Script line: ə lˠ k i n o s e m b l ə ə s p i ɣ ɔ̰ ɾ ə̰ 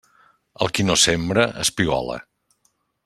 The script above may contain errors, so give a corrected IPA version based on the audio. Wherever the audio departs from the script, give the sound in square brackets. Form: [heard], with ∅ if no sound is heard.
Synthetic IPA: ə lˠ k i n o s e m b [ɾ] ə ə s p i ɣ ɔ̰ [l] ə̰